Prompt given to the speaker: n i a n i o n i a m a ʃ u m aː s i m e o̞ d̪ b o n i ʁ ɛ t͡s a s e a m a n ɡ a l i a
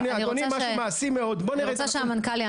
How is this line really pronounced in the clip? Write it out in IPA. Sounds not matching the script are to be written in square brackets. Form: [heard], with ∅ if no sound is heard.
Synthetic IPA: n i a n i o n i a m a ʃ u m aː s i m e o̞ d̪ b o n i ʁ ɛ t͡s a [ʃ] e a m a n [k] a l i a